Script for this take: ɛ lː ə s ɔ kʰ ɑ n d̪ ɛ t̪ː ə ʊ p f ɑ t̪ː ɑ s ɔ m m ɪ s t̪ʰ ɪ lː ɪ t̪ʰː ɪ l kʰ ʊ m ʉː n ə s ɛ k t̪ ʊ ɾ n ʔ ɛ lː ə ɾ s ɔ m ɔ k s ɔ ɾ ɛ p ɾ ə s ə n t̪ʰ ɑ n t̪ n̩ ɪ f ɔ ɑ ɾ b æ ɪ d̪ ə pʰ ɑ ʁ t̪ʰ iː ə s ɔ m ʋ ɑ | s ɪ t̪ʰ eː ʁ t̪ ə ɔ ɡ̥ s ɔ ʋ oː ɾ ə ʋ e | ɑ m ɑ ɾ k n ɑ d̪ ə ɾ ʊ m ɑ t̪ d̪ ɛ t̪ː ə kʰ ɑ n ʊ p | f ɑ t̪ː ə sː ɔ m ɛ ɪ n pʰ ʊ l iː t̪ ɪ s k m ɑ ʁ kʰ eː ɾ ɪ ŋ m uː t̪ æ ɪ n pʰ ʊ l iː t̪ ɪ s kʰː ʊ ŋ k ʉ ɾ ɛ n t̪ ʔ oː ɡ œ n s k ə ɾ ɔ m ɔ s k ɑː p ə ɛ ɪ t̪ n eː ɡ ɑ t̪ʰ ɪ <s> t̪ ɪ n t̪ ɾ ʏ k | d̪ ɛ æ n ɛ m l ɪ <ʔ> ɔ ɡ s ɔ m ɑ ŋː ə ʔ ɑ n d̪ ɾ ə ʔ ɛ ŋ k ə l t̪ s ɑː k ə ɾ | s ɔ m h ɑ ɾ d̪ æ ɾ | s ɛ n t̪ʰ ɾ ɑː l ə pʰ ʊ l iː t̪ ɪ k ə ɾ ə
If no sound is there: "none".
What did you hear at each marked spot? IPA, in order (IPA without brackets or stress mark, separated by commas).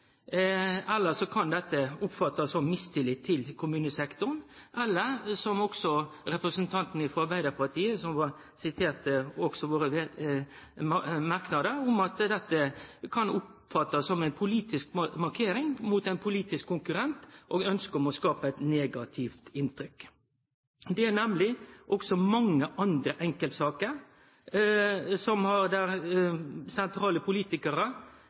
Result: f, ʔ